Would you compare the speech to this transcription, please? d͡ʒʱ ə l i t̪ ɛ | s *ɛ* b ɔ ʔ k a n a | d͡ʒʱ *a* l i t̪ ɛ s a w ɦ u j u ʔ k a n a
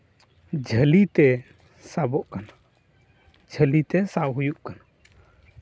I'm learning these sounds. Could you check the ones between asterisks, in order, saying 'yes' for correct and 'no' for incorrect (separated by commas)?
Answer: no, no